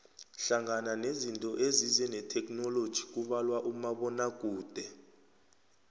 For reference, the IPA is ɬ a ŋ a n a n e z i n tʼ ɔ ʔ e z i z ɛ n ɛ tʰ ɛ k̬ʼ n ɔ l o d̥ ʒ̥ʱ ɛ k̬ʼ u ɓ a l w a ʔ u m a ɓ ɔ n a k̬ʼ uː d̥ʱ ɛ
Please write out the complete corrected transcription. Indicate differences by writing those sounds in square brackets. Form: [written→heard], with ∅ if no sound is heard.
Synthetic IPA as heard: ɬ a ŋ a n a n e z i n tʼ ɔ ʔ e z i z ɛ n ɛ tʰ ɛ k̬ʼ n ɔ l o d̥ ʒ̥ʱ [ɛ→i] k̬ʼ u ɓ a l w a ʔ u m a ɓ ɔ n a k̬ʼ uː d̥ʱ ɛ

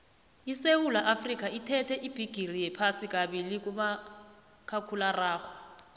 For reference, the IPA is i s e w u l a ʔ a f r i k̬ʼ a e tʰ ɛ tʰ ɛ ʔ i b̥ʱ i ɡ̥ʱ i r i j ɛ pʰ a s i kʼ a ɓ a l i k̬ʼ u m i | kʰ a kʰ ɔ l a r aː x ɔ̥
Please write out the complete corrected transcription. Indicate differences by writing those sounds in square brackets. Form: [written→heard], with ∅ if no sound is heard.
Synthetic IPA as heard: i s e w u l a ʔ a f r i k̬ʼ a [e→i] tʰ ɛ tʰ ɛ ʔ i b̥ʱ i ɡ̥ʱ i r i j ɛ pʰ a s i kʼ a ɓ [a→i] l i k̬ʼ u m [i→a] | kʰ a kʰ [ɔ→u] l a r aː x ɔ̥

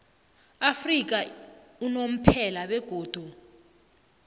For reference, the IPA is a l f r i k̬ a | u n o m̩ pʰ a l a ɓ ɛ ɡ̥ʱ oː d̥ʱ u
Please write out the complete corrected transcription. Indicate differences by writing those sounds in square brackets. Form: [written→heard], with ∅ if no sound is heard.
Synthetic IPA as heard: a [l→∅] f r i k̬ a | u n o m̩ pʰ [a→ɛ] l a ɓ ɛ ɡ̥ʱ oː d̥ʱ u

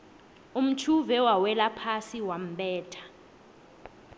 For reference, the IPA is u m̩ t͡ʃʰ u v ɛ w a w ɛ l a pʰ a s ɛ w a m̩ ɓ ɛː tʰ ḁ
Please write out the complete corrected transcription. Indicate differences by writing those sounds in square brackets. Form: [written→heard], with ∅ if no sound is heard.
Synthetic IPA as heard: u m̩ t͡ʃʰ u v ɛ w a w ɛ l a pʰ a s [ɛ→i] w a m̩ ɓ ɛː tʰ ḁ

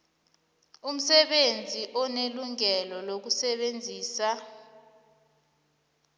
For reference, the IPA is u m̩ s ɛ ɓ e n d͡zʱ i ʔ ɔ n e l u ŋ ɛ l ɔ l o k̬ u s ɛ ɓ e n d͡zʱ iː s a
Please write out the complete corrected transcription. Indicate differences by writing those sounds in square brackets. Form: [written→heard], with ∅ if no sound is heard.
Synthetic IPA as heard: u m̩ s ɛ ɓ e n d͡zʱ i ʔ ɔ n e l u ŋ ɛ l ɔ l o k̬ u s ɛ ɓ e n d͡zʱ iː s a

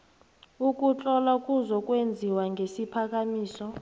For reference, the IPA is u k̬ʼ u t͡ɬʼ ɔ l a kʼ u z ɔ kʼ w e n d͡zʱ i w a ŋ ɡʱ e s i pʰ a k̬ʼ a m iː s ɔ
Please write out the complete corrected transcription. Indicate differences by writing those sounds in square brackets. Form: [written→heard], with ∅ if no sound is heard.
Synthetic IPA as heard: u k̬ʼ u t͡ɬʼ ɔ l a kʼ u z ɔ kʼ w e n d͡zʱ i w a ŋ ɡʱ e s i pʰ a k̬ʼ a m iː s ɔ

